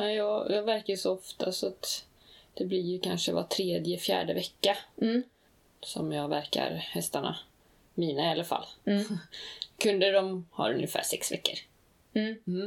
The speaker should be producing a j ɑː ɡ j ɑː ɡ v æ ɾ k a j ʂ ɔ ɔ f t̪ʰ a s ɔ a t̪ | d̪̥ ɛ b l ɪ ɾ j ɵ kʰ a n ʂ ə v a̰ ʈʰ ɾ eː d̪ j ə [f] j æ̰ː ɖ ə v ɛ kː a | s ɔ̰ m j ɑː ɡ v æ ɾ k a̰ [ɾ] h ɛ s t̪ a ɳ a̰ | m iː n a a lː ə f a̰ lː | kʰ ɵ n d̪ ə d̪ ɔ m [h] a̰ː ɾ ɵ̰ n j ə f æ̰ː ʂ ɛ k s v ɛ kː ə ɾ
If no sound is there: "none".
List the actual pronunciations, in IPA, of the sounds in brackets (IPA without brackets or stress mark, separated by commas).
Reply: f, ɾ, h